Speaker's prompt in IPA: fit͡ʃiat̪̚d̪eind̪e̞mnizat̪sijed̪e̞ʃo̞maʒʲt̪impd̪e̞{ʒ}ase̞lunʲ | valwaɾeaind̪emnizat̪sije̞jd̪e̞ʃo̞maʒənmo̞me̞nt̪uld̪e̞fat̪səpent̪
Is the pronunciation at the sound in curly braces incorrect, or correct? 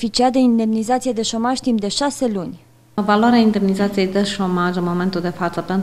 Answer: incorrect